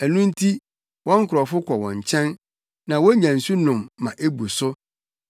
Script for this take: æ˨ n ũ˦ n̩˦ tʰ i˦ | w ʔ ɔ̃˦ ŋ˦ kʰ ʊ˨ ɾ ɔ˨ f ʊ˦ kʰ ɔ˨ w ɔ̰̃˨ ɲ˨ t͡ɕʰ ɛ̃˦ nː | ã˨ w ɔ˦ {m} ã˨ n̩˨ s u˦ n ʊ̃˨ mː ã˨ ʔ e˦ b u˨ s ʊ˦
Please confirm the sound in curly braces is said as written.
no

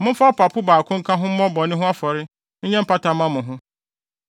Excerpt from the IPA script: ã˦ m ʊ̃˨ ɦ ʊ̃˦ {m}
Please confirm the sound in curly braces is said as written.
no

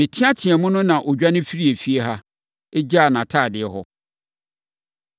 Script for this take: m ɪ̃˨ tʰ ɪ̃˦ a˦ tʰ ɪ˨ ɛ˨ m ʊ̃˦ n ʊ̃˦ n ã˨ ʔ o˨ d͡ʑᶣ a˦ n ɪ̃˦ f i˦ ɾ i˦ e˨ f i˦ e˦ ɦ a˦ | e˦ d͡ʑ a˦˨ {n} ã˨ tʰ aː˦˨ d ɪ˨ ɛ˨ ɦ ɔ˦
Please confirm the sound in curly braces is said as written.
yes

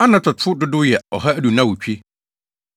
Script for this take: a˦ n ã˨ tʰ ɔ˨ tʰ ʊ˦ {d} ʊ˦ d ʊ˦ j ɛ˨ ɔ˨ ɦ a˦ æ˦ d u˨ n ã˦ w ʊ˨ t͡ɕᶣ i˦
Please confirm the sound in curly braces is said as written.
yes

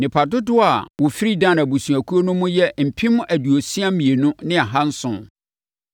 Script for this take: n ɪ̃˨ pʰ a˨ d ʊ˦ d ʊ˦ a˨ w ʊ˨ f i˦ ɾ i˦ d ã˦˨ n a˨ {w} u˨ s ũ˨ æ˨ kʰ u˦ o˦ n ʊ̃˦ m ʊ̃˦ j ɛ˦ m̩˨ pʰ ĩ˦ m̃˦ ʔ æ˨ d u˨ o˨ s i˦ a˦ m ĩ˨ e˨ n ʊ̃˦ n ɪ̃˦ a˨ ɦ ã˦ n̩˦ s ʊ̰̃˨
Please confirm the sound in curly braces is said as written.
no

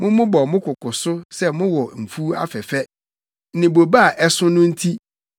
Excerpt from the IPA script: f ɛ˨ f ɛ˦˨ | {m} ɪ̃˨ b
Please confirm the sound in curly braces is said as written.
no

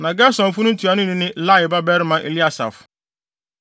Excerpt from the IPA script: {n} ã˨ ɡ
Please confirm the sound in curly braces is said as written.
yes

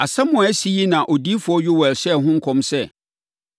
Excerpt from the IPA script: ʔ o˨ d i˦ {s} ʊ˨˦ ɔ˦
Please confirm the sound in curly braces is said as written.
no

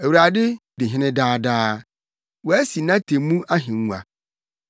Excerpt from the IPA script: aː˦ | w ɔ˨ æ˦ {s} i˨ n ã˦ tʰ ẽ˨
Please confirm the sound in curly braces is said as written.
yes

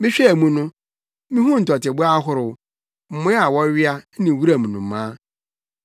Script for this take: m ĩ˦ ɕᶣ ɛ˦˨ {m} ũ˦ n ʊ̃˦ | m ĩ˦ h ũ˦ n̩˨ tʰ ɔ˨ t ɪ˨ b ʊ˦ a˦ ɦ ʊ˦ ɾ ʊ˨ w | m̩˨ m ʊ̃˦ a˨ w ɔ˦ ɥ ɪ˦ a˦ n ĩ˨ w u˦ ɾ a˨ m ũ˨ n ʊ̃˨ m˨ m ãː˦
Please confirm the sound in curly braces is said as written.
yes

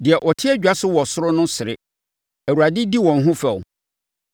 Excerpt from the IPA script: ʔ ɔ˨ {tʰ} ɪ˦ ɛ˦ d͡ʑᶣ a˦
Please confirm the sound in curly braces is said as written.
yes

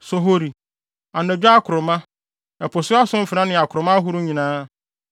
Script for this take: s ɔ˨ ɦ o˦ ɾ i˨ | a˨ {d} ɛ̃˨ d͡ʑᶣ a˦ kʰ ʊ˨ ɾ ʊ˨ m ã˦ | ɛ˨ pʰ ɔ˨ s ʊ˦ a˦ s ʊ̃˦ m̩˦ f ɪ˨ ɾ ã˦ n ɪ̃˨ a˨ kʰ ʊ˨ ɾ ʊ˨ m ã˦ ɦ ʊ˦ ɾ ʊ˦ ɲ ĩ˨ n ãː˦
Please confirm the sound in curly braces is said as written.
no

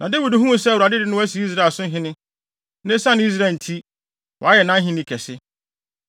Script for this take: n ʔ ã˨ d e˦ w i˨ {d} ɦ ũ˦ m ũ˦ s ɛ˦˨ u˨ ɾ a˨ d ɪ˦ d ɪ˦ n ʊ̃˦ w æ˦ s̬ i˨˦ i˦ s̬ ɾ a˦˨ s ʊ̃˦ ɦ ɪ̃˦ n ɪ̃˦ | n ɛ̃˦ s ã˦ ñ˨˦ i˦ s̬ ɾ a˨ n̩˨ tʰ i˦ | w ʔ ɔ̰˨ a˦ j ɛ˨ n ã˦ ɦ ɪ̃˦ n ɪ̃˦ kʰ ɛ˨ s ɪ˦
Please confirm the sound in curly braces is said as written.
yes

